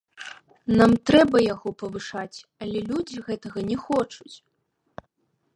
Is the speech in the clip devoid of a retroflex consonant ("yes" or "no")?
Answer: no